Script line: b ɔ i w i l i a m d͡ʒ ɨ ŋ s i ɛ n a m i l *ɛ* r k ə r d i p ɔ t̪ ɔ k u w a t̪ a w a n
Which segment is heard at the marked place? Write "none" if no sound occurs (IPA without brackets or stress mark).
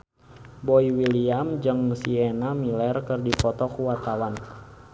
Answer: ɛ